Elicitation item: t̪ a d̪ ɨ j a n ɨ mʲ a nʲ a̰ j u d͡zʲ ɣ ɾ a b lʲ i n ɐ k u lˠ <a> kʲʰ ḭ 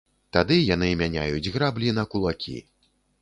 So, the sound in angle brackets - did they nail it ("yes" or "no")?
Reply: yes